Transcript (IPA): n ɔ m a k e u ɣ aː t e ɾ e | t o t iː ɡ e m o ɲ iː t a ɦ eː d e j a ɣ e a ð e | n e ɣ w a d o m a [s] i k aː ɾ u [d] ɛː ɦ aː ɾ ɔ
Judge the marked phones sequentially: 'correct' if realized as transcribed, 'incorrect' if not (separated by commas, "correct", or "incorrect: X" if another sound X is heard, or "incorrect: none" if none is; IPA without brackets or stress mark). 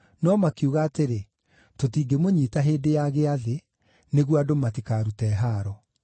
incorrect: t, incorrect: t